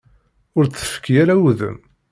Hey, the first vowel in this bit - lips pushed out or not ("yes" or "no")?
yes